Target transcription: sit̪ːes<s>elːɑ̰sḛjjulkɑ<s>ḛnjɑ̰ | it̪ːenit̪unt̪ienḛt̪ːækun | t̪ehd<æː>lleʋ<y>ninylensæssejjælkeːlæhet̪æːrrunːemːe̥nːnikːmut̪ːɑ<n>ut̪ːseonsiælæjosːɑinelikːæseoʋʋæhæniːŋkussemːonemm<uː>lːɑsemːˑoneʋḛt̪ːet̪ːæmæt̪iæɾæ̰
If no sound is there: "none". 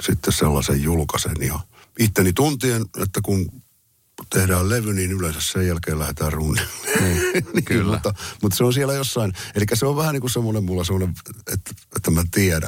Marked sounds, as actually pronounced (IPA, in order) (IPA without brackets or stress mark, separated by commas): s, s, æː, y, m, u